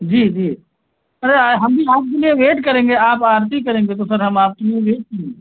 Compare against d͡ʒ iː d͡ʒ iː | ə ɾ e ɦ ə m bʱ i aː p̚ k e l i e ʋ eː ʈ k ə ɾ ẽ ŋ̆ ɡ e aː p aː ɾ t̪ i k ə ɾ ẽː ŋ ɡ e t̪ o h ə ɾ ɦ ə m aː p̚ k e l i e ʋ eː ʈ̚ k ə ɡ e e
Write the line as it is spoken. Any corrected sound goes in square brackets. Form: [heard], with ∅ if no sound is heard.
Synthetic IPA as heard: d͡ʒ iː d͡ʒ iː | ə ɾ e ɦ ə m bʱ i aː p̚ k e l i e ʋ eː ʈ k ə ɾ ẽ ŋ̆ ɡ e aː p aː ɾ t̪ i k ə ɾ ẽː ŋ ɡ e t̪ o [s] ə ɾ ɦ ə m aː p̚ k e l i e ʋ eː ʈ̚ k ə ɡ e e